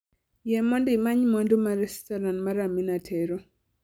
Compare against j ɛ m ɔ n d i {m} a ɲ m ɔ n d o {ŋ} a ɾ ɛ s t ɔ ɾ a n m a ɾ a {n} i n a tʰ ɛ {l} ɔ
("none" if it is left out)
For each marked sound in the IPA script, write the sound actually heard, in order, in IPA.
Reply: m, m, m, ɾ

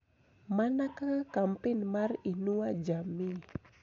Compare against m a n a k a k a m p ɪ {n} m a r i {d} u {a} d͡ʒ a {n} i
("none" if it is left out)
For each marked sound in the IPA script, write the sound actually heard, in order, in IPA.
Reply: n, n, a, m

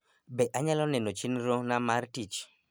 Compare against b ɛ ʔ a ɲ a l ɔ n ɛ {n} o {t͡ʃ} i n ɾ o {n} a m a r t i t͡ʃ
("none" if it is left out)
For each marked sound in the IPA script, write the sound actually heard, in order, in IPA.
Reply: n, t͡ʃ, n

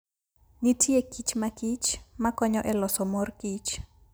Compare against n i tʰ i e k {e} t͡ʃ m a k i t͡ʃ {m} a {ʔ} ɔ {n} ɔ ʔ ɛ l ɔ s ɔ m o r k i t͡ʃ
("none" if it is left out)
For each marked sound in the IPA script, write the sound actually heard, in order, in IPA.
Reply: i, m, k, ɲ

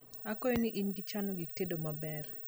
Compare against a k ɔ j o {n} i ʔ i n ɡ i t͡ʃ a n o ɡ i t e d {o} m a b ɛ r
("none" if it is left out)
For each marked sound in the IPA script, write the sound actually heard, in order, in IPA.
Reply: n, o

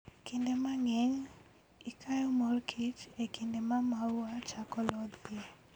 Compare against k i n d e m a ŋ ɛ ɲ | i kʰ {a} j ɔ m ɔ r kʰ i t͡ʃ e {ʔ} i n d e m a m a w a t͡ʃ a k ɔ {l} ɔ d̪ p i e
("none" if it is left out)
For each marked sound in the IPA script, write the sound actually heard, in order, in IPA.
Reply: a, k, l

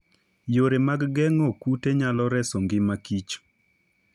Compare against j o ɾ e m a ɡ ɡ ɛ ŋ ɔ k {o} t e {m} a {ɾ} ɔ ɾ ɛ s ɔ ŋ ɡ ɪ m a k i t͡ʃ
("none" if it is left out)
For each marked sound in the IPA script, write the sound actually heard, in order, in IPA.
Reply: u, ɲ, l

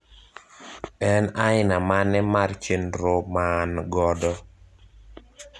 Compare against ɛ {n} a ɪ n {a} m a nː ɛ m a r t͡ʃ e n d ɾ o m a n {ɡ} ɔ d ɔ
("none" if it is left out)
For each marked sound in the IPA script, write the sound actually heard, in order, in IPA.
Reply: n, a, ɡ

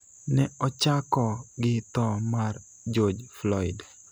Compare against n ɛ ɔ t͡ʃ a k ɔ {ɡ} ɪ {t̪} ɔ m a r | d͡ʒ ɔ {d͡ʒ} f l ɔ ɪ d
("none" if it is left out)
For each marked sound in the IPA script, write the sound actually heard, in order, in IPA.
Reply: ɡ, t̪, d͡ʒ

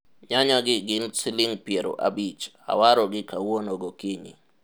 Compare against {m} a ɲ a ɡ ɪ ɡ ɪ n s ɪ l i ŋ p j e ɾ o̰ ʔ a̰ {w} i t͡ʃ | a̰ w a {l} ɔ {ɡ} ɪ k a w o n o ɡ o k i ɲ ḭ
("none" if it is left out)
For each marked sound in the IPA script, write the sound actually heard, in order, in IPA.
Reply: ɲ, b, ɾ, ɡ

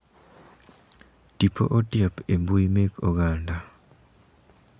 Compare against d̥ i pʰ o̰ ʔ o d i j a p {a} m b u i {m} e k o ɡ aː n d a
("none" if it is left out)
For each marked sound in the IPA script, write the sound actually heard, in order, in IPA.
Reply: e, m

